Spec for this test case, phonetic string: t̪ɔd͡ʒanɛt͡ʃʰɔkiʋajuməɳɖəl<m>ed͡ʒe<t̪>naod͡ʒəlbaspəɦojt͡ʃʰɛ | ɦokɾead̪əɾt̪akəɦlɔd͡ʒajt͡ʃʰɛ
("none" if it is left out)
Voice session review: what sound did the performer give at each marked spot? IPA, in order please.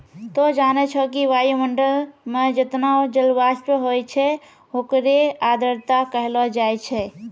m, t̪

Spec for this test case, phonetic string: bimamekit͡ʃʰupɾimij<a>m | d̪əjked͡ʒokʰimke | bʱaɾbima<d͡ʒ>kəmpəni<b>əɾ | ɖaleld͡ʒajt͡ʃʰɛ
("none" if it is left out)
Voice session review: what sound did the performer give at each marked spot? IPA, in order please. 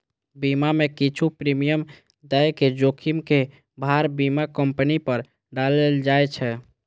ə, none, p

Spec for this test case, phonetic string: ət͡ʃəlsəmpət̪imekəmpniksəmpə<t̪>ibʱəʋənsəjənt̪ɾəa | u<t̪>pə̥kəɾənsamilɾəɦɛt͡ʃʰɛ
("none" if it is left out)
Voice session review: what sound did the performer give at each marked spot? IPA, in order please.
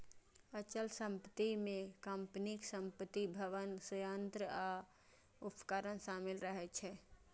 t̪, none

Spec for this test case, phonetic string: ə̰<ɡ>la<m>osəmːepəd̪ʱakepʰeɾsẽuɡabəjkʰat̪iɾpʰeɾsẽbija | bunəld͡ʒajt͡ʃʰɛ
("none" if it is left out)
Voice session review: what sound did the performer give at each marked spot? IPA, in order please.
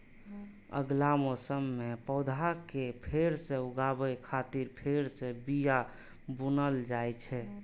ɡ, m

